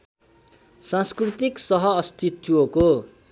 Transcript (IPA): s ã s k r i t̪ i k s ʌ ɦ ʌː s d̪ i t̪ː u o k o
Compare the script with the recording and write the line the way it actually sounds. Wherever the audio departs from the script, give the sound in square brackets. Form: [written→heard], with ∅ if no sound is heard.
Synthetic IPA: s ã s k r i t̪ i k s ʌ ɦ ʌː s [d̪→t̪] i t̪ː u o k o